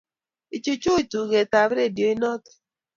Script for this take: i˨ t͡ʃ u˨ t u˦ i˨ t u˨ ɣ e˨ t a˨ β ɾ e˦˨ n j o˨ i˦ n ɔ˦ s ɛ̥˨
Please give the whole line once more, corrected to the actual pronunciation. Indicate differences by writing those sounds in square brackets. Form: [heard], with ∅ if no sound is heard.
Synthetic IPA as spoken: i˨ t͡ʃ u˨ [t͡ʃ] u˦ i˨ t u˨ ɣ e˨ t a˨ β ɾ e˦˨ [d] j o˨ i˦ n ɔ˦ [t] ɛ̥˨